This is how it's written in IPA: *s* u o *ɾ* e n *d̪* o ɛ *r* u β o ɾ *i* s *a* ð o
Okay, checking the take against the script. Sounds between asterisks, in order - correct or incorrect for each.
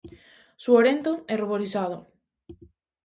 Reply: correct, correct, incorrect: t̪, correct, correct, correct

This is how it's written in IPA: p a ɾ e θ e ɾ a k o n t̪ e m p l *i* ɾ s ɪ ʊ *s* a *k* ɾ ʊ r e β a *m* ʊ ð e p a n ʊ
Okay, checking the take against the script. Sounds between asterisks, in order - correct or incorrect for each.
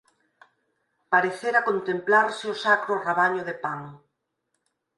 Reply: incorrect: a, correct, correct, incorrect: ɲ

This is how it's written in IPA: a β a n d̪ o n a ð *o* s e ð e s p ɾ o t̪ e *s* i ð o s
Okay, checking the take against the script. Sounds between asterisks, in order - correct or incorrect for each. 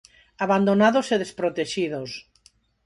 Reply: correct, incorrect: ʃ

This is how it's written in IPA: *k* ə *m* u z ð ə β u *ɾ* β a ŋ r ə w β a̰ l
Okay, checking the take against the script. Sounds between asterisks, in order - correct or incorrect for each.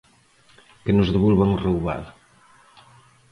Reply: correct, incorrect: n, incorrect: l

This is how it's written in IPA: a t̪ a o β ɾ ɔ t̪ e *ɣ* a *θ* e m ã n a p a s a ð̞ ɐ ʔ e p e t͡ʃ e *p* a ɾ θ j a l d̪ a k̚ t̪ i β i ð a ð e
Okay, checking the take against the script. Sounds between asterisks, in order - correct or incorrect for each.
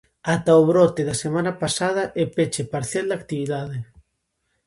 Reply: incorrect: ð, incorrect: s, correct

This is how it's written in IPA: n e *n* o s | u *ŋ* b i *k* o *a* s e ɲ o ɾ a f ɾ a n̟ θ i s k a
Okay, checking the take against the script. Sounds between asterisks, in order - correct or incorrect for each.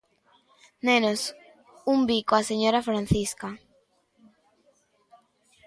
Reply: correct, incorrect: m, correct, correct

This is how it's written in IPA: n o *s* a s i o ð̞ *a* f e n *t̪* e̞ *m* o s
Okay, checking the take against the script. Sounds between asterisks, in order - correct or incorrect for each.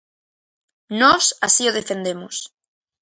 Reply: correct, incorrect: e, incorrect: d̪, correct

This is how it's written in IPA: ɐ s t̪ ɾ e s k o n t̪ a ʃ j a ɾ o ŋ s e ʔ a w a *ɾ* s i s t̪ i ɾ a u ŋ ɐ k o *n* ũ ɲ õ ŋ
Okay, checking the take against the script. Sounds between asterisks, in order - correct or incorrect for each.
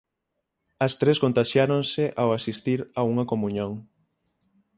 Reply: incorrect: none, incorrect: m

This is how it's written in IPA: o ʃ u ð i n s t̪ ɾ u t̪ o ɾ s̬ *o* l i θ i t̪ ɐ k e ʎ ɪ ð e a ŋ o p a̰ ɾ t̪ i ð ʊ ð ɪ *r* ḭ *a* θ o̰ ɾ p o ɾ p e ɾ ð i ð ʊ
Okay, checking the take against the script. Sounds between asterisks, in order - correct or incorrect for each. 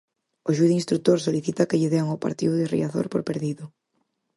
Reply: correct, correct, correct

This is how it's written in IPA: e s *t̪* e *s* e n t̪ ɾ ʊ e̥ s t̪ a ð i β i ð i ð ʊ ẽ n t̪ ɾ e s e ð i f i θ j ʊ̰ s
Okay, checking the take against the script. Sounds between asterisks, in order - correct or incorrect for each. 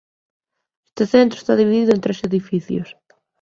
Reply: correct, incorrect: θ

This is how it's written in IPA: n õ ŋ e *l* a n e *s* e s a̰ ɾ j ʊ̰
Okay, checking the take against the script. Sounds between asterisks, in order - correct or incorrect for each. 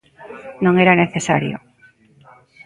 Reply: incorrect: ɾ, incorrect: θ

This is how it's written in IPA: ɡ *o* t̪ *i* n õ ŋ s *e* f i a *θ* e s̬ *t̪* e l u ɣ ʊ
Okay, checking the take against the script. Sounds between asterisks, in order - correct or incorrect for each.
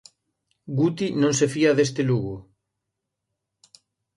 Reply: incorrect: u, correct, correct, incorrect: ð, correct

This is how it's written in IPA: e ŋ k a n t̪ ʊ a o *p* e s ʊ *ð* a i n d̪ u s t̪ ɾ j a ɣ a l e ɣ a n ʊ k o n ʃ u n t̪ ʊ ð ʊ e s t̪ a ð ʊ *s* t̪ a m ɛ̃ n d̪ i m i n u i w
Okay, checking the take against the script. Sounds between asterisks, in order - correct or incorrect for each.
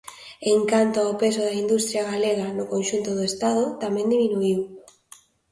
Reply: correct, correct, incorrect: none

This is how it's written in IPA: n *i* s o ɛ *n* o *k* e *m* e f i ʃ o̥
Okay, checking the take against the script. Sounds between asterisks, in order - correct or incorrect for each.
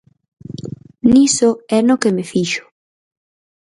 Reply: correct, correct, correct, correct

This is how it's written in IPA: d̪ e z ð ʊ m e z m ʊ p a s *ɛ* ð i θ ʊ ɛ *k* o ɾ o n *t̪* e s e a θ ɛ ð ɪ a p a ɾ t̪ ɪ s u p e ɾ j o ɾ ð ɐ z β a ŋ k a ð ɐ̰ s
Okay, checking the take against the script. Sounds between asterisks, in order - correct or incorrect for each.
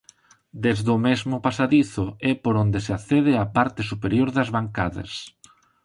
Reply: incorrect: a, incorrect: p, incorrect: d̪

